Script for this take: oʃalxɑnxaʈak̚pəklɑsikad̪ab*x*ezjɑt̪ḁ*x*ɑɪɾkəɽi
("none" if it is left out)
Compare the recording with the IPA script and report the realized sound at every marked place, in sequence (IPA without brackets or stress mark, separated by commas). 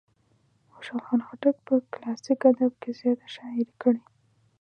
k, ʃ